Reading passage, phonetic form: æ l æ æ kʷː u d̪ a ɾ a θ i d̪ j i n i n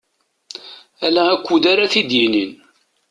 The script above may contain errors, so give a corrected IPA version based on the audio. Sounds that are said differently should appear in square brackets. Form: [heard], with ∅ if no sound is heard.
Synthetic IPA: æ l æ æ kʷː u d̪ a ɾ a θ i d̪ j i n i n